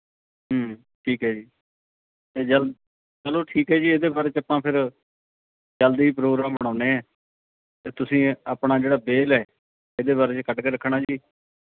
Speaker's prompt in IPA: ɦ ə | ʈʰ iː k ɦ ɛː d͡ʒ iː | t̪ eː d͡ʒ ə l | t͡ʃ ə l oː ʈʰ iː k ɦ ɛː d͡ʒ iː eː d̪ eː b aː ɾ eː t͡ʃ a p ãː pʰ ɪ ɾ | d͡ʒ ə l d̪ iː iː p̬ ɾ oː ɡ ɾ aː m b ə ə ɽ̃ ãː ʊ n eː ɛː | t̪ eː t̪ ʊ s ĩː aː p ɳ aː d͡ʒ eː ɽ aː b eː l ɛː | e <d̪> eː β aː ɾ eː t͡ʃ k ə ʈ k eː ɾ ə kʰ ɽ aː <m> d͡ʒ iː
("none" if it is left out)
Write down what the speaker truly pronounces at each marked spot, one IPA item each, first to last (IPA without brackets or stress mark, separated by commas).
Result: d̪, none